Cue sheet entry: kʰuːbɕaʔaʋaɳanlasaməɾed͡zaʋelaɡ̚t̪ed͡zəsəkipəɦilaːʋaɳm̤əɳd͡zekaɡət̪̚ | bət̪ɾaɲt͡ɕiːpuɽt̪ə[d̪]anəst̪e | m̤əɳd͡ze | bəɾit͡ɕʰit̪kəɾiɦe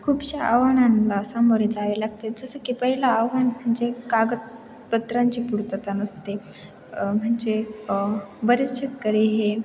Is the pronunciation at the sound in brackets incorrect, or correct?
incorrect